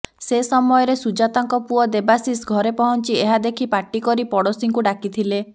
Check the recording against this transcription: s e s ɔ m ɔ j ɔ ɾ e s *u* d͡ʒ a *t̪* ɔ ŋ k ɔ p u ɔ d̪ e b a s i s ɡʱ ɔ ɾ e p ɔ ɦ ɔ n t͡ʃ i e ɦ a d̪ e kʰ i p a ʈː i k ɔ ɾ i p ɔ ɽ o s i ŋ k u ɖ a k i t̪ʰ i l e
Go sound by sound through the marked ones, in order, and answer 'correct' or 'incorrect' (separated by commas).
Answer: correct, correct